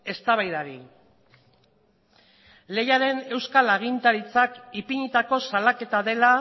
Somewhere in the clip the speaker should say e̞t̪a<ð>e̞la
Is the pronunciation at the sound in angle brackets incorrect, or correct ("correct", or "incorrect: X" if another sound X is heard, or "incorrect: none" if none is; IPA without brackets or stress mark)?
correct